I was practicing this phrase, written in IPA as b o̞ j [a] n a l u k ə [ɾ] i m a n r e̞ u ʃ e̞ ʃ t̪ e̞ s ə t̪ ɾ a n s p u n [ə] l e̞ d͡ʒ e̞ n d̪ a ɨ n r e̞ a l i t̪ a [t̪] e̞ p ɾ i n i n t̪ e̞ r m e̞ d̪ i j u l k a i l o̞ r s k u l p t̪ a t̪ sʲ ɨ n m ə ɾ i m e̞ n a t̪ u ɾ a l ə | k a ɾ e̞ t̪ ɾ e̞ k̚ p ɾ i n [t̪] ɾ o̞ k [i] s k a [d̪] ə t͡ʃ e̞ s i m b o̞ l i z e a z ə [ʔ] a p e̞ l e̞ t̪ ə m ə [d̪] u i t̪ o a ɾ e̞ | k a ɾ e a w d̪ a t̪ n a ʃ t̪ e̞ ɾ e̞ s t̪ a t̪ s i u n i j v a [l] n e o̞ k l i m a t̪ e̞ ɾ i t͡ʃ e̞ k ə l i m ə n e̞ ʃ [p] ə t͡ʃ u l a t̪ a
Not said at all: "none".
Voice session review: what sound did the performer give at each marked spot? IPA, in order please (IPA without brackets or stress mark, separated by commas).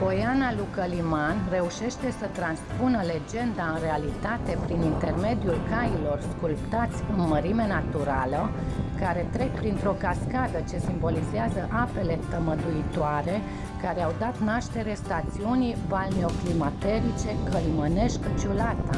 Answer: a, l, ə, t̪, t̪, a, d̪, ʔ, d̪, l, k